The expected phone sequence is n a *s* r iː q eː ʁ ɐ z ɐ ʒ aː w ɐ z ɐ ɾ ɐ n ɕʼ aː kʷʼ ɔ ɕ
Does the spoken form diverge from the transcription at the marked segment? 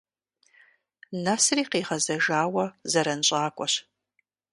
no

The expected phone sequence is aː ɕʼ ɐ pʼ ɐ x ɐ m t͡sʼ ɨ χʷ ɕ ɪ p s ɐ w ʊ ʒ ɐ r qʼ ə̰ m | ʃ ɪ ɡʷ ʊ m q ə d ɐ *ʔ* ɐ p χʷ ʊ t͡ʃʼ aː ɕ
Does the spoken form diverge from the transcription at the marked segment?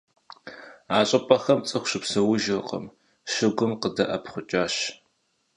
no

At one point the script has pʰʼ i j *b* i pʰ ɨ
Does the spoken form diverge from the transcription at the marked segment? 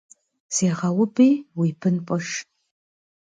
yes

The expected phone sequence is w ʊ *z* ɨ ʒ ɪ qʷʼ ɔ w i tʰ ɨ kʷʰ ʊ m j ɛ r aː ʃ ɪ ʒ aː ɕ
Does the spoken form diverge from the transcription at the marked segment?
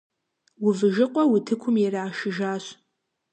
yes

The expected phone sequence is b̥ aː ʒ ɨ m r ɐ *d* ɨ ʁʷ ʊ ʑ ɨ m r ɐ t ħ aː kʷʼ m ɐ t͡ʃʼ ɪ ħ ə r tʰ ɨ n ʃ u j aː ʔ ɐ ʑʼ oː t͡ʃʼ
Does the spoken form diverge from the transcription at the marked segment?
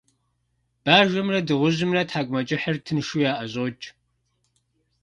no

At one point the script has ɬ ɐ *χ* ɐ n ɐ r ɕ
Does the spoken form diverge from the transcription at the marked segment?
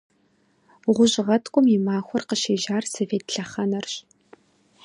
no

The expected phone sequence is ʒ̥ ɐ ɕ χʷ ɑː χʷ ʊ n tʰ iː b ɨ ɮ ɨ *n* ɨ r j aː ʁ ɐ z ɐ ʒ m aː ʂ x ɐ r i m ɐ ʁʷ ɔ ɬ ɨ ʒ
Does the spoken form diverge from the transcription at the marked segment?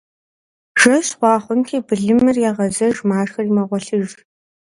yes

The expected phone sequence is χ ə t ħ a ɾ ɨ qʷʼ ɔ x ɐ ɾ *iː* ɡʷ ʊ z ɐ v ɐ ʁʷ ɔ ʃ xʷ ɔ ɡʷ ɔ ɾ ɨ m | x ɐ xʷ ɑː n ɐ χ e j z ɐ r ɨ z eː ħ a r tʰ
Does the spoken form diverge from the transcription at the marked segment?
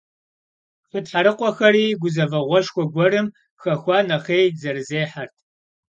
no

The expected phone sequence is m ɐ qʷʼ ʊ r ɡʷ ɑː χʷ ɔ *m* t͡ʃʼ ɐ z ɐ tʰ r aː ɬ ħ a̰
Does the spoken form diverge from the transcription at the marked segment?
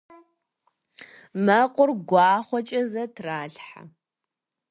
yes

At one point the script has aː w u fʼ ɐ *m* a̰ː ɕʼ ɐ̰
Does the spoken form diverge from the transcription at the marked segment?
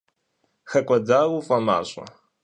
no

